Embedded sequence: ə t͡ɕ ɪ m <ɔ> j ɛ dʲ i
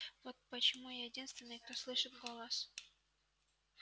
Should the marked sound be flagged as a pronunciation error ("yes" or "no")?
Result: yes